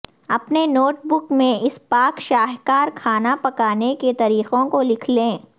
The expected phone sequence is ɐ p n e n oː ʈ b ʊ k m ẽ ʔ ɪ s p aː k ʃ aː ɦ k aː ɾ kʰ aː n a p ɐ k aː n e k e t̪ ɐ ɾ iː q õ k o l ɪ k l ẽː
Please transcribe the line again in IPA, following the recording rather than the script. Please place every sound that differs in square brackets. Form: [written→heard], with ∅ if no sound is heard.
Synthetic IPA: ɐ p n e n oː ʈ b ʊ k m ẽ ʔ ɪ s p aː k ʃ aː ɦ k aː ɾ kʰ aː n a p ɐ k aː n e k e t̪ ɐ ɾ iː q õ k o l ɪ [k→kʰ] l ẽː